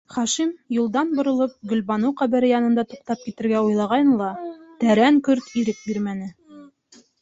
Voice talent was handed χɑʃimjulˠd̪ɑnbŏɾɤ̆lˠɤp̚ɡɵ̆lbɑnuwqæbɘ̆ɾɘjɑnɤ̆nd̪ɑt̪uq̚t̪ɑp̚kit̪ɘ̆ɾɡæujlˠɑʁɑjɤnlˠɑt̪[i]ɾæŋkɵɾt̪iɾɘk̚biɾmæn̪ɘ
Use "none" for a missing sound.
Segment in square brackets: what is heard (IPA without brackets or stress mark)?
æ